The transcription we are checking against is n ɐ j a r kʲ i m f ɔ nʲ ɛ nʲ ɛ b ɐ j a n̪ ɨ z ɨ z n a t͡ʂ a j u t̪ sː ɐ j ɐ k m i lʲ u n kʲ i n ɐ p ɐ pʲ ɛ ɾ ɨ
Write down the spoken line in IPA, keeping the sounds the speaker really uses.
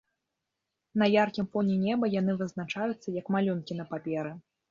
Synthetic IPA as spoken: n ɐ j a r kʲ i m f ɔ nʲ ɛ nʲ ɛ b ɐ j a n̪ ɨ v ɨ z n a t͡ʂ a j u t̪ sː ɐ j ɐ k m a lʲ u n kʲ i n ɐ p a pʲ ɛ ɾ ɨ